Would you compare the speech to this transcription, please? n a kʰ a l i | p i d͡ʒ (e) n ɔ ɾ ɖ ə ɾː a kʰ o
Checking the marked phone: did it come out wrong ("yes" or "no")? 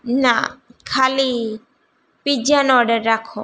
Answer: yes